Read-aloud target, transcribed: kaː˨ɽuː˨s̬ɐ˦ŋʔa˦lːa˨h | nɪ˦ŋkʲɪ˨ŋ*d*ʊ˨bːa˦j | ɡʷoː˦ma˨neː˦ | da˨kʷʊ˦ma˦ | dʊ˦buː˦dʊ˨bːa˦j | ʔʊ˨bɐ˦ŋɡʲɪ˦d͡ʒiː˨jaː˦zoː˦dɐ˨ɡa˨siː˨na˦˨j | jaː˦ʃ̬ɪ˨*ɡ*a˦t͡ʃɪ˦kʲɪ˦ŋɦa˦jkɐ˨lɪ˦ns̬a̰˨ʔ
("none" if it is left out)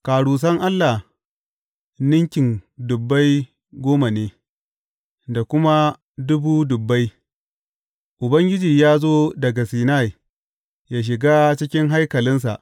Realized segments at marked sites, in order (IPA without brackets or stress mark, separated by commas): d, ɡ